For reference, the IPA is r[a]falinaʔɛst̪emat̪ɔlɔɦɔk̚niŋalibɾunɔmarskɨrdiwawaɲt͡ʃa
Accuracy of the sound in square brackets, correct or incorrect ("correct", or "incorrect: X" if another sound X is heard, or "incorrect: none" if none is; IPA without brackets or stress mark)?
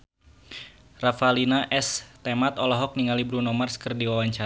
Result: correct